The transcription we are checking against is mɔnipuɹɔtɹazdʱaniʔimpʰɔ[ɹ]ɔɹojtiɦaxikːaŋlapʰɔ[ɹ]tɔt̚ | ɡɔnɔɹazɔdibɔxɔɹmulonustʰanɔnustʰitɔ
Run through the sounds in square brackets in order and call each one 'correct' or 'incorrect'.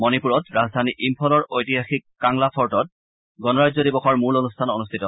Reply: incorrect: l, correct

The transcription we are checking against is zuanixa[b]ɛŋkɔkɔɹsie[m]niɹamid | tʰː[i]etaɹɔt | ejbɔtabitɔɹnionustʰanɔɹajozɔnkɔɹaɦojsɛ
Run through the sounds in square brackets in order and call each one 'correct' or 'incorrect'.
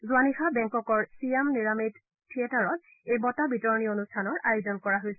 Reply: correct, correct, correct

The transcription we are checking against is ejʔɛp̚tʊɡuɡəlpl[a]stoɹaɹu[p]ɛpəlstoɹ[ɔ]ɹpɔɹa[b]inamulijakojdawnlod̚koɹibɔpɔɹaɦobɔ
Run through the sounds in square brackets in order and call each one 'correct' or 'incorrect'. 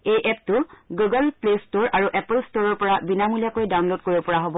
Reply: incorrect: e, incorrect: ʔ, correct, correct

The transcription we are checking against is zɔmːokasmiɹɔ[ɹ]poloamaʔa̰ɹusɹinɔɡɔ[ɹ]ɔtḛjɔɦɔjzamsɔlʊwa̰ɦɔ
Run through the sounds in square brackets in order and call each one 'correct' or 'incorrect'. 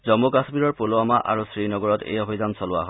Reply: correct, correct

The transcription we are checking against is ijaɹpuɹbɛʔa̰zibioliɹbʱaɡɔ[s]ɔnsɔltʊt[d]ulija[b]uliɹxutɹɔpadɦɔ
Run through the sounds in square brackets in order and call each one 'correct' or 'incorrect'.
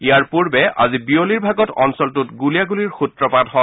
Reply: incorrect: t, incorrect: ɡ, incorrect: ɡ

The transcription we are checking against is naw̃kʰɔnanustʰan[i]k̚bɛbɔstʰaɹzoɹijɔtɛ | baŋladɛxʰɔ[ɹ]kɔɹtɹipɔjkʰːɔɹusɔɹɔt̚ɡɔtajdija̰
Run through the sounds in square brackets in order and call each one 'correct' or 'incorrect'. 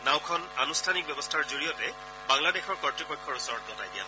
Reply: correct, correct

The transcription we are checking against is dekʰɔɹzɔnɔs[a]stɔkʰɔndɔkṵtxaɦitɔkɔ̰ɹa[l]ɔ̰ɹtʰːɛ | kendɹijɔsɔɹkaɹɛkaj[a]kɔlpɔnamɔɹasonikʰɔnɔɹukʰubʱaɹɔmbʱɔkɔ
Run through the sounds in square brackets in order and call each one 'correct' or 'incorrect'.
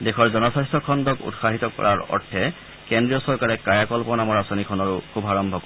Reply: correct, incorrect: ɹ, correct

